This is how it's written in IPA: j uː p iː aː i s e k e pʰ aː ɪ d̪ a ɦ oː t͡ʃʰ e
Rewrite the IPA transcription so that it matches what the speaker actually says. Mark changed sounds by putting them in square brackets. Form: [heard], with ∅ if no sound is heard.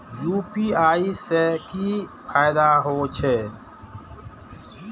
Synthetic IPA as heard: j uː p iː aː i s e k [i] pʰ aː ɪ d̪ a ɦ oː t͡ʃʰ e